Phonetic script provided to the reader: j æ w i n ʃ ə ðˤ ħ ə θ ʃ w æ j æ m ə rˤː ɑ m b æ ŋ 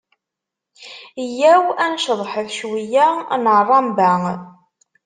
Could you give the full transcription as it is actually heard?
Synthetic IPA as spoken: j æ w æ n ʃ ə ðˤ ħ ə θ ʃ w i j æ n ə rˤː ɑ m b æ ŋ